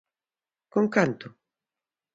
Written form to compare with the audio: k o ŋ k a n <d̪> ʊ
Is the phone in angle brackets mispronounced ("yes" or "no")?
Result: yes